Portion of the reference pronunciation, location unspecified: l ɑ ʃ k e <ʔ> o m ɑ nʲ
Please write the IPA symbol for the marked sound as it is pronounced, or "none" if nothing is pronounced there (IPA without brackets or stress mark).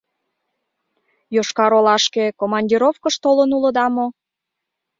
k